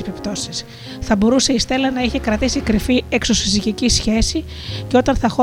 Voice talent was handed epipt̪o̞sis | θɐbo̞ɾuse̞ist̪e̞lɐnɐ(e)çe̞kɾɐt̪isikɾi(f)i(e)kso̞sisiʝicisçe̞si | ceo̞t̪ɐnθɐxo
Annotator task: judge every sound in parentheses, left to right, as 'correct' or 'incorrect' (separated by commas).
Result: incorrect, correct, correct